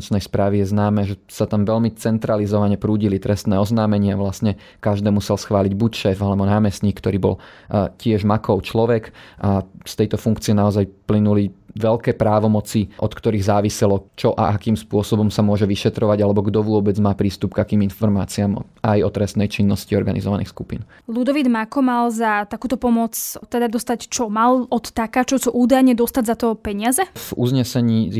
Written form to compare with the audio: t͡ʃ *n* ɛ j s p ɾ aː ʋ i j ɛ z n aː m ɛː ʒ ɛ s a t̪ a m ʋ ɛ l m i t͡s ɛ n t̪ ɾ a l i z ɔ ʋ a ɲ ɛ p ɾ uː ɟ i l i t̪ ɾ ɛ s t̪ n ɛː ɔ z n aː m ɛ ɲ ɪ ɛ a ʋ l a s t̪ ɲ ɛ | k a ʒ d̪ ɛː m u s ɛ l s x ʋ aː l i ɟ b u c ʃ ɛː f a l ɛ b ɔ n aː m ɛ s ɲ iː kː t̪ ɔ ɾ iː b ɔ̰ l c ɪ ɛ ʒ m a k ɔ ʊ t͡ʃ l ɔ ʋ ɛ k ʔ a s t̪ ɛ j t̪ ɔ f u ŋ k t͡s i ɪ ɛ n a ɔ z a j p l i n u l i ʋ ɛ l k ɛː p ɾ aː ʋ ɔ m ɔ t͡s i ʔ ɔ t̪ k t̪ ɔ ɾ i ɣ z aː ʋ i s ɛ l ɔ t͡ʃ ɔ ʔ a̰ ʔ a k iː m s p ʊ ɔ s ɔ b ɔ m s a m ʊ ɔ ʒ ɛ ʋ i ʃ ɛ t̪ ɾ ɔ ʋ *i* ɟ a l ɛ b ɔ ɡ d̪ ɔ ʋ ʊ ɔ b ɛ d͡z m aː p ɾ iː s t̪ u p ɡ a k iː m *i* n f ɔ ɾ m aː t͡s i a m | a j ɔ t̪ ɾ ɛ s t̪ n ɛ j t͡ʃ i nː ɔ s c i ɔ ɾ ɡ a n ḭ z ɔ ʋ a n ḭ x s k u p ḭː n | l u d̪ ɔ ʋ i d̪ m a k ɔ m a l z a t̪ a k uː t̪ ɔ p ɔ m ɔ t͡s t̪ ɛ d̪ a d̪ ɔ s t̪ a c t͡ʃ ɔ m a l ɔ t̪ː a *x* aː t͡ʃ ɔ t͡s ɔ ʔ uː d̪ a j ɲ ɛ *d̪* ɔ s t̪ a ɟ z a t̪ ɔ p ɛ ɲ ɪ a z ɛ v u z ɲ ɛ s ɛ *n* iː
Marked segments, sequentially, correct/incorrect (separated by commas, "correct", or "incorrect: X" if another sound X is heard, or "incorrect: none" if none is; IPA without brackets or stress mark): correct, incorrect: a, correct, incorrect: k, correct, incorrect: ɲ